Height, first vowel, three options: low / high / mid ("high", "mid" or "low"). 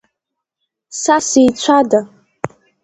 low